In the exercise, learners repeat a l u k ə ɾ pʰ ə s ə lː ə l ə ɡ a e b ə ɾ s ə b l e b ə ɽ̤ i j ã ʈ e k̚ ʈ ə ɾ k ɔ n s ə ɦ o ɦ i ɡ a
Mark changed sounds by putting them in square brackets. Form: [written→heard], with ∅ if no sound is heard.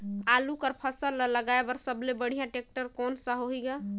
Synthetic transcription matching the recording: a l u k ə ɾ pʰ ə s ə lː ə l ə ɡ a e b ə ɾ s ə b l e b ə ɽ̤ i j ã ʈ e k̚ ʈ ə ɾ k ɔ n s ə ɦ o ɦ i ɡ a